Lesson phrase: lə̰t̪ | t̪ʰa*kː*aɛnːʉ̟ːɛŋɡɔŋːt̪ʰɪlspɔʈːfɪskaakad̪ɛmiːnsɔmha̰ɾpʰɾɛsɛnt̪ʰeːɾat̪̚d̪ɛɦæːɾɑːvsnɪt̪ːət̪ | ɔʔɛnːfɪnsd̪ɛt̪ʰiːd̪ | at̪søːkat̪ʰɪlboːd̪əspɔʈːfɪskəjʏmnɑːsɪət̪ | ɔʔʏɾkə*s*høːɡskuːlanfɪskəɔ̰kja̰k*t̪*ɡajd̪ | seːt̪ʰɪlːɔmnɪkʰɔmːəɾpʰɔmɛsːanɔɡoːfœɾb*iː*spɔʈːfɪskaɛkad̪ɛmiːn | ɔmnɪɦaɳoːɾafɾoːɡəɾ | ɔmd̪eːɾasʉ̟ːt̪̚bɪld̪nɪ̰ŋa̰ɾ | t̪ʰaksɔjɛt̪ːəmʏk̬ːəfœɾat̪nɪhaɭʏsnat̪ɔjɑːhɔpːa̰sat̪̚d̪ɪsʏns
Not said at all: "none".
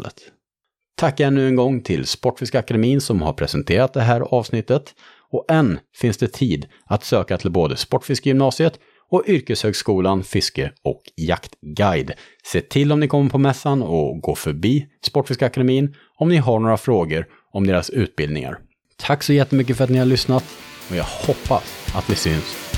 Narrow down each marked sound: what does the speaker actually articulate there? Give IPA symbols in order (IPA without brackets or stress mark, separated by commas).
kː, s, t̪, iː